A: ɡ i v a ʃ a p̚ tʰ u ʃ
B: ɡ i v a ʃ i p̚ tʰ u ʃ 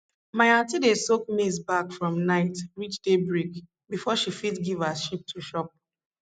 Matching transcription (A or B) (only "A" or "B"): B